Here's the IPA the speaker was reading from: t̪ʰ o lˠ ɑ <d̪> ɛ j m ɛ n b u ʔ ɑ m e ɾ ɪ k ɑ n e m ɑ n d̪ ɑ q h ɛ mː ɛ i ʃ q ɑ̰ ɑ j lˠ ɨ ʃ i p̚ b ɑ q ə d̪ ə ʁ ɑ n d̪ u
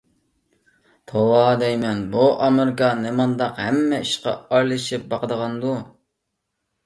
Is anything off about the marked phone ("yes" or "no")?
no